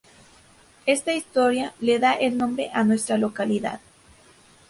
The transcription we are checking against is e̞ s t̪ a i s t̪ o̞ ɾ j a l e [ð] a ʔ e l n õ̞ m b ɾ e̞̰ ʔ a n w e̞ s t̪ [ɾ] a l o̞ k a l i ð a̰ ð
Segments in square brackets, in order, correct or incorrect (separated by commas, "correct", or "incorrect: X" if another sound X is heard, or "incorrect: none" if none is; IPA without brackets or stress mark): correct, correct